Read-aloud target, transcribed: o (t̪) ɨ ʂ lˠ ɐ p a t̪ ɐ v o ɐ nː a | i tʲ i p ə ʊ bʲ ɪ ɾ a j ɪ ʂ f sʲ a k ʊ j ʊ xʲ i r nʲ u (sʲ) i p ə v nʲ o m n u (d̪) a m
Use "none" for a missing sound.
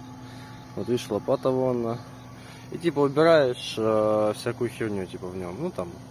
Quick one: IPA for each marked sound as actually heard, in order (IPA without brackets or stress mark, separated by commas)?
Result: t̪, tʲ, t̪